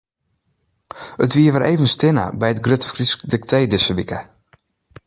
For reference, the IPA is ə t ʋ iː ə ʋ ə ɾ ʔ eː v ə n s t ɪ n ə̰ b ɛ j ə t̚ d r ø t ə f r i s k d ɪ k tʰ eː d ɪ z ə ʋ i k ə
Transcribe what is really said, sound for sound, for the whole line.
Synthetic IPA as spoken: ə t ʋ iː ə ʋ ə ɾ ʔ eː v ə n s t ɪ n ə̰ b ɛ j ə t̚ ɡ r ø t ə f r i s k d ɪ k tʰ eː d ɪ s ə ʋ i k ə